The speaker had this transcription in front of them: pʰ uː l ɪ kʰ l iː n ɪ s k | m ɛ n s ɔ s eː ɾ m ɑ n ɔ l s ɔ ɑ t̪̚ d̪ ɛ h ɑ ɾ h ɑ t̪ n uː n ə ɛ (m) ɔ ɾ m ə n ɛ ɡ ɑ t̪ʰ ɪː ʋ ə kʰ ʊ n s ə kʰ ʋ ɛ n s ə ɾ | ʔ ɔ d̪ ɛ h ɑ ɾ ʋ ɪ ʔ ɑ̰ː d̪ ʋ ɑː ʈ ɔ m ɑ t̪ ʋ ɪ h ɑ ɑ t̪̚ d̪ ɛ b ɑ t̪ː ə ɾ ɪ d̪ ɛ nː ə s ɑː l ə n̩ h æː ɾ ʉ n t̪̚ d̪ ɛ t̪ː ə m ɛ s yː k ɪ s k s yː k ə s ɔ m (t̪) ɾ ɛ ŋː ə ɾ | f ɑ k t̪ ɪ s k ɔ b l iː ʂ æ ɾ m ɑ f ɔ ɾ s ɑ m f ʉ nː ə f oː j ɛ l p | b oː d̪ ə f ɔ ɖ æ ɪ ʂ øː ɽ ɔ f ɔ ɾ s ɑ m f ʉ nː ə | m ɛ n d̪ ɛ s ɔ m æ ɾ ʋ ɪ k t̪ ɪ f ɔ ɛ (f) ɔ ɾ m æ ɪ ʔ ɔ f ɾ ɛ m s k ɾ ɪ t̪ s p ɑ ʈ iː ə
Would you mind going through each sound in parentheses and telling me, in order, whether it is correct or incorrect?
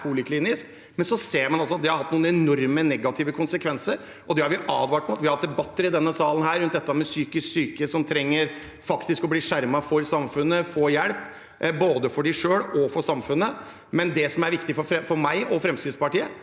incorrect: n, incorrect: t̪ʰ, correct

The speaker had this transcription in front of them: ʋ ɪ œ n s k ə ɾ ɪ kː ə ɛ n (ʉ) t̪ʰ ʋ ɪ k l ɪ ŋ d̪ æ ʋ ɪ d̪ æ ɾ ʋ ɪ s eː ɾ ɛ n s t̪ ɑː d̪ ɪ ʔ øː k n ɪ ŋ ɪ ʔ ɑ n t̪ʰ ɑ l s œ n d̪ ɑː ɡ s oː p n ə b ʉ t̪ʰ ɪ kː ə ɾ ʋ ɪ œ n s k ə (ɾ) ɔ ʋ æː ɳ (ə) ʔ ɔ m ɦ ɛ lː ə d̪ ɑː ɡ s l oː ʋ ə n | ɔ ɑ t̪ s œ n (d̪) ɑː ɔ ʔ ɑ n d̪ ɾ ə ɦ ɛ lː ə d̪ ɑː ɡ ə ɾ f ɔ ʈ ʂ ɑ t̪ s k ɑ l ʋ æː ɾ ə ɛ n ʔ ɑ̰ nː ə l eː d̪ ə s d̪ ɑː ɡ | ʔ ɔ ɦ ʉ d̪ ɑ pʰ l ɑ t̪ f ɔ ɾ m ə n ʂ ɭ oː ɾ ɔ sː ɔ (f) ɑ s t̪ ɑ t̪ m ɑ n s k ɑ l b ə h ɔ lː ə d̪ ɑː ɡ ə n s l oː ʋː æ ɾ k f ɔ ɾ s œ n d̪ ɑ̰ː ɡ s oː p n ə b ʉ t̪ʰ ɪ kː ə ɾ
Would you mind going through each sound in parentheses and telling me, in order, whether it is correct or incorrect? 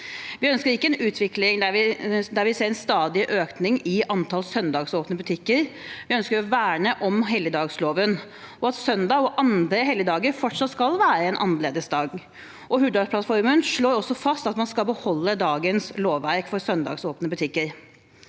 incorrect: ʉː, correct, correct, correct, correct

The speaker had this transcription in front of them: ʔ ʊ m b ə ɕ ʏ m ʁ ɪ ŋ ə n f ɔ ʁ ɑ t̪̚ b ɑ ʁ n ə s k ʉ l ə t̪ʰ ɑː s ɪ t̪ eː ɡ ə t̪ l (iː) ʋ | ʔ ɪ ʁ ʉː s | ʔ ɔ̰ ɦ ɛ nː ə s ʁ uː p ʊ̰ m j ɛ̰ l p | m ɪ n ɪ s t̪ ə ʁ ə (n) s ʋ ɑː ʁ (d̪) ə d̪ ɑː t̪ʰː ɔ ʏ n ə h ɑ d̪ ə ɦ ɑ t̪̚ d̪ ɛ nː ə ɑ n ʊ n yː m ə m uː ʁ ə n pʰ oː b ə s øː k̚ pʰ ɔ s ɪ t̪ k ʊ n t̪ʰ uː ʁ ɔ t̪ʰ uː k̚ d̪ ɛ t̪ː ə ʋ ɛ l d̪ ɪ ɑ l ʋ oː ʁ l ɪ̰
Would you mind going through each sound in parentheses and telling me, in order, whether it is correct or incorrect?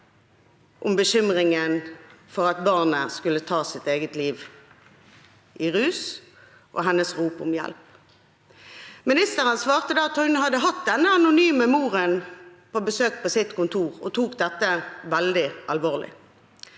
correct, correct, incorrect: t̪

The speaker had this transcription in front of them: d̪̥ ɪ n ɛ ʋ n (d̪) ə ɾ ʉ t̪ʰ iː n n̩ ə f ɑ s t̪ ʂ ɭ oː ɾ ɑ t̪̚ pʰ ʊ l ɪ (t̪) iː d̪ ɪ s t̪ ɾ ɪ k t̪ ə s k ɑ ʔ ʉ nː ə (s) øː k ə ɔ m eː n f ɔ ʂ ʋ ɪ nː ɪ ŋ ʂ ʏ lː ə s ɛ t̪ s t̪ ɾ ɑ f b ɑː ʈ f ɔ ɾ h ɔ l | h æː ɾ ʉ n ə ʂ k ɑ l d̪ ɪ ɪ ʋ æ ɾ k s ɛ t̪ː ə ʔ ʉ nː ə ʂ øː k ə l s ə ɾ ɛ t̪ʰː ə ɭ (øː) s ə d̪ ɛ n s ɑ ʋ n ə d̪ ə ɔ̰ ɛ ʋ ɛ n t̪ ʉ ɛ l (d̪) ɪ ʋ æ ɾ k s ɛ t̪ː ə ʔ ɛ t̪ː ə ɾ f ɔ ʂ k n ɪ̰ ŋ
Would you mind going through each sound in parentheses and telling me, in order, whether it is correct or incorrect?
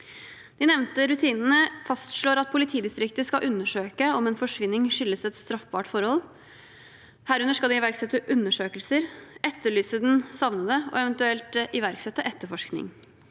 incorrect: t̪, incorrect: t̪ʰ, incorrect: ʂ, incorrect: yː, incorrect: t̪

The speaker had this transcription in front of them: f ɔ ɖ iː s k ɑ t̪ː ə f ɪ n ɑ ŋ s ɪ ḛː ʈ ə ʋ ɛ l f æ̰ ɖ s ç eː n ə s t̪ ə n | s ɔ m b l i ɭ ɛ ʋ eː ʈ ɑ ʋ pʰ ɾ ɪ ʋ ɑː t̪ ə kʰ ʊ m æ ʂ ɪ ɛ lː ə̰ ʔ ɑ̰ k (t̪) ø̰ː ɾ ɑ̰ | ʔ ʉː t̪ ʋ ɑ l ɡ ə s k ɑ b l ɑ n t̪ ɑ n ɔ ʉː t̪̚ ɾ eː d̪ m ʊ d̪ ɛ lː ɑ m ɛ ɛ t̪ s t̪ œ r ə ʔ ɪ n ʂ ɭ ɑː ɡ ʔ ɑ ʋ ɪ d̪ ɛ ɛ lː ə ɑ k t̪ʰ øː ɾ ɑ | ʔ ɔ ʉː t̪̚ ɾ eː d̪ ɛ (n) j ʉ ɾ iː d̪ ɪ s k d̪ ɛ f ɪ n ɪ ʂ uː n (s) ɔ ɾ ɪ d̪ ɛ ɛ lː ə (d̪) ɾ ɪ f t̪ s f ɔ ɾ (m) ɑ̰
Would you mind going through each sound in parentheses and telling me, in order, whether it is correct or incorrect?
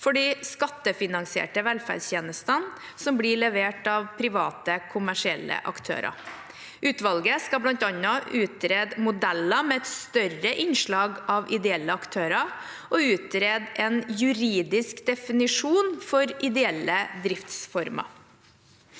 incorrect: t̪ʰ, correct, incorrect: f, correct, correct

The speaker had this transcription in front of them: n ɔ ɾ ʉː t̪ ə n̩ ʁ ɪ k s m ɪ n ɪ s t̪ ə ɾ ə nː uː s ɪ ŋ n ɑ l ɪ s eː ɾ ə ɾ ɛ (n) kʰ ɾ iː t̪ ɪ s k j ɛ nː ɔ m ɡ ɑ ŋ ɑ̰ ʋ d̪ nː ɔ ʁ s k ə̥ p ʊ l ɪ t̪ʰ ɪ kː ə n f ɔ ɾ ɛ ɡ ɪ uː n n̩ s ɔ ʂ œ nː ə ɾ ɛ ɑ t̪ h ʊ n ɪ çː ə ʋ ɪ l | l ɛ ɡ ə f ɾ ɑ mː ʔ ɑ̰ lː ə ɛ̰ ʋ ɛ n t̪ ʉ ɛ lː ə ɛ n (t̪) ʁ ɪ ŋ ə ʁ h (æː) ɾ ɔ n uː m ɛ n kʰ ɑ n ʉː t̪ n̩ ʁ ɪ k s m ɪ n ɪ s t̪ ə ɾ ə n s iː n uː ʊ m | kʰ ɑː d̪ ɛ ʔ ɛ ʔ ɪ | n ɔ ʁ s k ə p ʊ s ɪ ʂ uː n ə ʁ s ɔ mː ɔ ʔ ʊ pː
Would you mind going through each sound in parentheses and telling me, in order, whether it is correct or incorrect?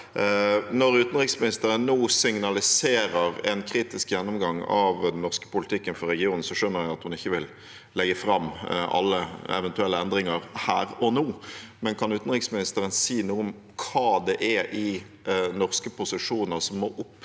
correct, incorrect: d̪, correct

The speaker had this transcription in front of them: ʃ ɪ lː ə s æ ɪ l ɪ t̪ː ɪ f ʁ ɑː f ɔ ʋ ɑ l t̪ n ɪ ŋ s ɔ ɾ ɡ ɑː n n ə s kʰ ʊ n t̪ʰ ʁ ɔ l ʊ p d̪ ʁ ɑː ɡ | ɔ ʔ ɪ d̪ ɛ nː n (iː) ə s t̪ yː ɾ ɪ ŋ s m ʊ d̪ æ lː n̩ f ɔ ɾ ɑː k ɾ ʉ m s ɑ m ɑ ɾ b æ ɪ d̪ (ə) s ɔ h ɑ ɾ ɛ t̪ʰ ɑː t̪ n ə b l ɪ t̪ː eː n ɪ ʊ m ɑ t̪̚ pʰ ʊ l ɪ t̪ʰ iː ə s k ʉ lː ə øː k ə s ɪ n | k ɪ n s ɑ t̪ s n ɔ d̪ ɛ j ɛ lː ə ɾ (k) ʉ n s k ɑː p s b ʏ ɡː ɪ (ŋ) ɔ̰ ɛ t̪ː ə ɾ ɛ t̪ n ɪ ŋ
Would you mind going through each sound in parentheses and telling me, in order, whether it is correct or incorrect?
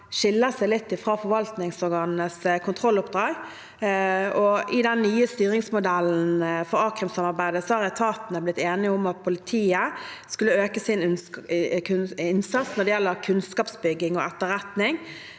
incorrect: yː, correct, incorrect: kʰ, correct

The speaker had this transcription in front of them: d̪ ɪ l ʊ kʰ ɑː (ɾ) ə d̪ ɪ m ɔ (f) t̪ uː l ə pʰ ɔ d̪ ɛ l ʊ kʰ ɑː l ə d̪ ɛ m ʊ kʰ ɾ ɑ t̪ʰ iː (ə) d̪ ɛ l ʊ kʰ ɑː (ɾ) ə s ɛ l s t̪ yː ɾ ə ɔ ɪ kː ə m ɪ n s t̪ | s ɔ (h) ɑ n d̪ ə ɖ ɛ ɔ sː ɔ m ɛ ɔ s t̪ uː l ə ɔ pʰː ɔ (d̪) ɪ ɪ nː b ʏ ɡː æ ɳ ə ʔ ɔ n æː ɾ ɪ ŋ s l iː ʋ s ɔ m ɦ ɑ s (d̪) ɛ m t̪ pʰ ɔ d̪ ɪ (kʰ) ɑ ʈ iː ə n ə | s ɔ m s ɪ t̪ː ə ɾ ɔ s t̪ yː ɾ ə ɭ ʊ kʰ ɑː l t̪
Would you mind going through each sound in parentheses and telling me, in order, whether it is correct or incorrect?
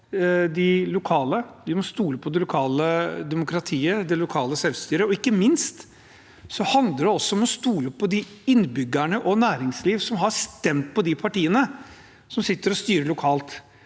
incorrect: l, incorrect: s, correct, incorrect: l, correct, correct, incorrect: t̪, incorrect: pʰ

